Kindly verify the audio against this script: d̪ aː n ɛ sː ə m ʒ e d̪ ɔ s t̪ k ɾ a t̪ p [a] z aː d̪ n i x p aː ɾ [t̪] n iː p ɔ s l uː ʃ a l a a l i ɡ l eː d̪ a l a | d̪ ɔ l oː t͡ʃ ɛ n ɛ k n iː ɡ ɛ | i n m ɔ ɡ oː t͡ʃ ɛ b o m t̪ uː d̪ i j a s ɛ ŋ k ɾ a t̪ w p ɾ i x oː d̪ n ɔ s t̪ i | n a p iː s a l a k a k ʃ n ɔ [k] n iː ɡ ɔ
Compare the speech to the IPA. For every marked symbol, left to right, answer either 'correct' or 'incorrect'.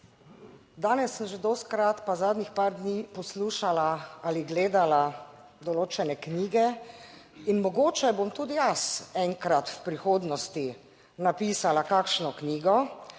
correct, incorrect, correct

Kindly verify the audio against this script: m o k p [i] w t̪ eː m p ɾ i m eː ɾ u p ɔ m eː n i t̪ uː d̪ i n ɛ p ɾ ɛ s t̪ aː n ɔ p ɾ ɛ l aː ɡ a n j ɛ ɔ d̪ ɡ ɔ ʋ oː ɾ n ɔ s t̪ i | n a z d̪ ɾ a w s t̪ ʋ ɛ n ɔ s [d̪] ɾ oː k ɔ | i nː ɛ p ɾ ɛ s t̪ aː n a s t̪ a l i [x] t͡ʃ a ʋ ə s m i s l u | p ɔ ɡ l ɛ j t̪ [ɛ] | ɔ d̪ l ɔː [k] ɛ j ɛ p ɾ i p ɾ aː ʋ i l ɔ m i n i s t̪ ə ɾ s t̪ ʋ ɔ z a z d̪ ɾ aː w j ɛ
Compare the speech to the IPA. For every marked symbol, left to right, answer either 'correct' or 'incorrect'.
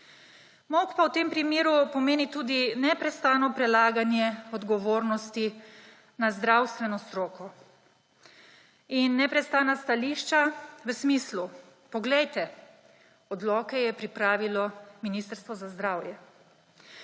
incorrect, incorrect, incorrect, correct, correct

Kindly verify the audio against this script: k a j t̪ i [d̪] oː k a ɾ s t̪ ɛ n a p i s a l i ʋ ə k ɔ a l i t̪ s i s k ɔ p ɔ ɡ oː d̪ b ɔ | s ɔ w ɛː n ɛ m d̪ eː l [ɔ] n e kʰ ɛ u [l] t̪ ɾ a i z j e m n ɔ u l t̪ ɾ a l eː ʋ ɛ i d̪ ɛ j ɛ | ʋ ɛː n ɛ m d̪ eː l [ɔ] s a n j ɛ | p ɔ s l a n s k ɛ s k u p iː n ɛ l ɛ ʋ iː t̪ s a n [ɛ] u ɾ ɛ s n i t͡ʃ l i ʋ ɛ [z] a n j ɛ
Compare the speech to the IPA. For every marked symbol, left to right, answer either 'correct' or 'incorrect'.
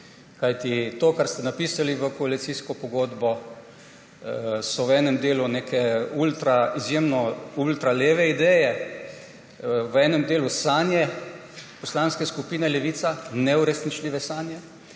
incorrect, incorrect, correct, incorrect, correct, incorrect

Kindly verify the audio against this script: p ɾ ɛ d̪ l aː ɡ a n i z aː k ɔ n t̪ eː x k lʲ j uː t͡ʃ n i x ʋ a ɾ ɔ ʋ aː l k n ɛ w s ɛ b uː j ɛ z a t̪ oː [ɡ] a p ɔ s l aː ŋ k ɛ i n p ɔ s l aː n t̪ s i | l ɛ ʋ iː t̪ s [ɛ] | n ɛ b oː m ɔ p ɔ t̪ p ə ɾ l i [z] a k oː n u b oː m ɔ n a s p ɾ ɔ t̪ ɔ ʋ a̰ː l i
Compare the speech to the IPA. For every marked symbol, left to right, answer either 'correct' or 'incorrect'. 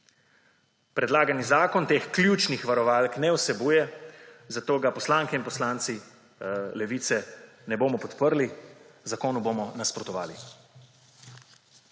correct, correct, correct

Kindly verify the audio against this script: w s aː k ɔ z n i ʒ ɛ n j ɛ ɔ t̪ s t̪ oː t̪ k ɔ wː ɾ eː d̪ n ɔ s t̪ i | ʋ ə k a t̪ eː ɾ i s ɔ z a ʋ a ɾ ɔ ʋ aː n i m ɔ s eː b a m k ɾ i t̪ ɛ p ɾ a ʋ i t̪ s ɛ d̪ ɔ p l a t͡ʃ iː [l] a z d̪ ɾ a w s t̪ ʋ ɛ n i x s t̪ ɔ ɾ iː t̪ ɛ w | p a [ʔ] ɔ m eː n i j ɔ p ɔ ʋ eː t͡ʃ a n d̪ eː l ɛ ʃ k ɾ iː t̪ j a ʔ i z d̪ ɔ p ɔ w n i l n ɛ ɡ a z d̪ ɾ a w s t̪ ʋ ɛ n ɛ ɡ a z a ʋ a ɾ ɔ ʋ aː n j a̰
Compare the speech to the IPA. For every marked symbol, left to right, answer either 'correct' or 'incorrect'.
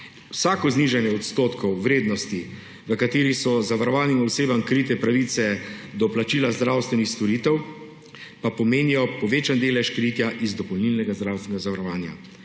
correct, incorrect

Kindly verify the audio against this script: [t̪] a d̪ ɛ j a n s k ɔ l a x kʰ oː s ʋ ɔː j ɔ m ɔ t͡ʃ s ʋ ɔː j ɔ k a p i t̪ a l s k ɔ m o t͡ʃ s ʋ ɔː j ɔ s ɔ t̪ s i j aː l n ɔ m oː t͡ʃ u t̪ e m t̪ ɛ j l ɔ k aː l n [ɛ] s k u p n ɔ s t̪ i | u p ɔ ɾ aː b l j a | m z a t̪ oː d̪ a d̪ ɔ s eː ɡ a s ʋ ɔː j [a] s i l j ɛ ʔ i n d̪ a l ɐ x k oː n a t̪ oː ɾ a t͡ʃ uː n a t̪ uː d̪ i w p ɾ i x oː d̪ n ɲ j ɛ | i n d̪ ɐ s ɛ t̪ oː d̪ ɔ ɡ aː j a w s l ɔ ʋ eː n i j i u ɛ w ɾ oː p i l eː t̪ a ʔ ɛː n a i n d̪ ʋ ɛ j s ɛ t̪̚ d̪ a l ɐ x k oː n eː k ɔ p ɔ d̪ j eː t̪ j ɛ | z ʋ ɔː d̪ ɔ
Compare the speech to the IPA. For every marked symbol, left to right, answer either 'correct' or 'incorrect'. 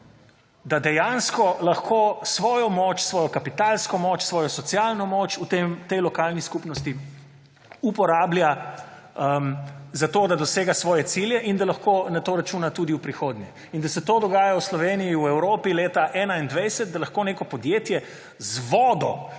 incorrect, incorrect, incorrect

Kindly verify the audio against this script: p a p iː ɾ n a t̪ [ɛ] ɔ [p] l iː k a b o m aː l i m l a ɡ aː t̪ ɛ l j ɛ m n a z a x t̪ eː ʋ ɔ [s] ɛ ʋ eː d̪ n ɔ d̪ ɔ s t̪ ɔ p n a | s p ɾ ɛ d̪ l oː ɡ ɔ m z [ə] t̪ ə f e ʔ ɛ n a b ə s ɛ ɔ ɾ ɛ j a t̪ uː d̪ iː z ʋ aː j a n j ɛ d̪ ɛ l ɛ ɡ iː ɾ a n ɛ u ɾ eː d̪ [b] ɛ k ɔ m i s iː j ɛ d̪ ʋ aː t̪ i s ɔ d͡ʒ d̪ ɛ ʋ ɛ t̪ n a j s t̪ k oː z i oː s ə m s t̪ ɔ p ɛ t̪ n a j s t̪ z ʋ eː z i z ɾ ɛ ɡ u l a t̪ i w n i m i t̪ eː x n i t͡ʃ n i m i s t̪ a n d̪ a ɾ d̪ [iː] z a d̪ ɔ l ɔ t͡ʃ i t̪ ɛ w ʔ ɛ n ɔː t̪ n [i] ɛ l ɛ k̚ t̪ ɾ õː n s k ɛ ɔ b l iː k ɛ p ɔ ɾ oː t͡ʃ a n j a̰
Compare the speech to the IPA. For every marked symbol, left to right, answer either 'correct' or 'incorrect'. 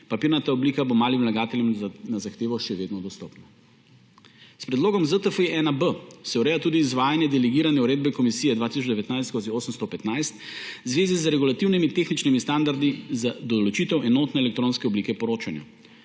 incorrect, incorrect, incorrect, correct, correct, incorrect, incorrect

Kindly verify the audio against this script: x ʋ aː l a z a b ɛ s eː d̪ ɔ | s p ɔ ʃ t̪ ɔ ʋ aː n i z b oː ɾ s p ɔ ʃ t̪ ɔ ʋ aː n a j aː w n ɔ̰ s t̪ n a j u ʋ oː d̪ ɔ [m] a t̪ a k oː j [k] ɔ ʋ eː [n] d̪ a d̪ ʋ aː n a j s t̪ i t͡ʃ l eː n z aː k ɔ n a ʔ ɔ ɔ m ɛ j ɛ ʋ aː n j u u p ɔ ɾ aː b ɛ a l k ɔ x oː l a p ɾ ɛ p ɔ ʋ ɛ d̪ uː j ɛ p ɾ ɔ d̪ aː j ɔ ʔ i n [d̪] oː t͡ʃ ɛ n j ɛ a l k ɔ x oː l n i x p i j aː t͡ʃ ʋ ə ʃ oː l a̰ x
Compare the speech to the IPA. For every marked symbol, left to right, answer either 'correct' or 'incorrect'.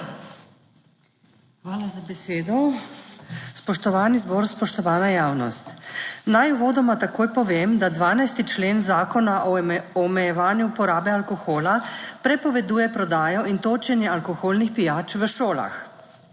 correct, incorrect, incorrect, incorrect

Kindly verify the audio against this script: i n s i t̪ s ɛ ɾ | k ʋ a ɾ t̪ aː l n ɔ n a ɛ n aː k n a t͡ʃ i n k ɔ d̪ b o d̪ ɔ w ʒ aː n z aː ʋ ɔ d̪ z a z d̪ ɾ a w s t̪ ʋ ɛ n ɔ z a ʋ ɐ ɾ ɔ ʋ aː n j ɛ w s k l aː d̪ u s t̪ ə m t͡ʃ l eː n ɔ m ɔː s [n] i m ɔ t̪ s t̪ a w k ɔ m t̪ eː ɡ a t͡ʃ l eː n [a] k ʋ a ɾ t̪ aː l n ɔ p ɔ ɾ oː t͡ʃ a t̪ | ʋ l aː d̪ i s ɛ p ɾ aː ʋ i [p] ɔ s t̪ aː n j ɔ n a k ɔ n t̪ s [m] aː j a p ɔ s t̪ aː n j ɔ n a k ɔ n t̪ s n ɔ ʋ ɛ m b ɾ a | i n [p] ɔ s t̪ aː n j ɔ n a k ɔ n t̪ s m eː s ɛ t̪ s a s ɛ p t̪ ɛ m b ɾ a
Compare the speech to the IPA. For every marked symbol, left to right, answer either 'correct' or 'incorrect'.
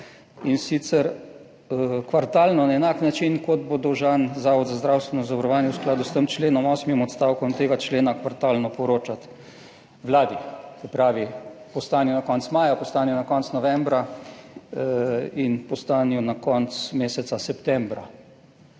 incorrect, correct, correct, correct, correct

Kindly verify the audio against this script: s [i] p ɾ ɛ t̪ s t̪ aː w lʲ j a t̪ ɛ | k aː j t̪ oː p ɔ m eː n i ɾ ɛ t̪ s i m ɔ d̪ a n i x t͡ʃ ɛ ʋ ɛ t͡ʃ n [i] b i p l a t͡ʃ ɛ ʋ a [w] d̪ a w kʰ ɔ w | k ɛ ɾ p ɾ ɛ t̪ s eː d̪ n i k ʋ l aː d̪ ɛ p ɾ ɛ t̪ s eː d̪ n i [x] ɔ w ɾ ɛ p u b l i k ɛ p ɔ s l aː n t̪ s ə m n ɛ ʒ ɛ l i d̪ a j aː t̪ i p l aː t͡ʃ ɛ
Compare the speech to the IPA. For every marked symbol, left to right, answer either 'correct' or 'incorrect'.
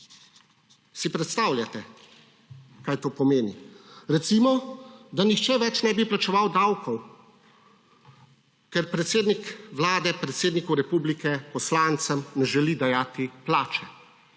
correct, incorrect, correct, incorrect

